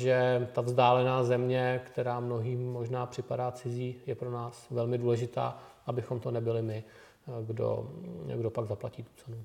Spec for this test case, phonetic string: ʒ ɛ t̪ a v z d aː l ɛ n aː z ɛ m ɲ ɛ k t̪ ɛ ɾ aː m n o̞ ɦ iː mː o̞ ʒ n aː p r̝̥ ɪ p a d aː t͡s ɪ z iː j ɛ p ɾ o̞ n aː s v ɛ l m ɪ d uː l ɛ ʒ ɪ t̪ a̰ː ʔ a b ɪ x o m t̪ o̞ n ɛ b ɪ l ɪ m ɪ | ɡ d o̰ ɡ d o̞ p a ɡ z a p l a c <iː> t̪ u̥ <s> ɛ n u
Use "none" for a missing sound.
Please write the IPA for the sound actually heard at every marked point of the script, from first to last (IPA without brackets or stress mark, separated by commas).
iː, t͡s